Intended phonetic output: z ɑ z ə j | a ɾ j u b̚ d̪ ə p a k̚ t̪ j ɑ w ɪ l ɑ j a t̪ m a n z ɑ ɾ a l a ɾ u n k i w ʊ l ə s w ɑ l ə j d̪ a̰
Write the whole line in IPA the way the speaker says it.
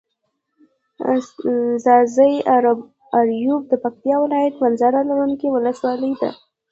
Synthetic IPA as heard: z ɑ z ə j | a ɾ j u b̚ d̪ ə p a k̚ t̪ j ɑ w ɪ l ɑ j a t̪ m a n z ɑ ɾ a l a ɾ u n k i w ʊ l ə s w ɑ l ə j d̪ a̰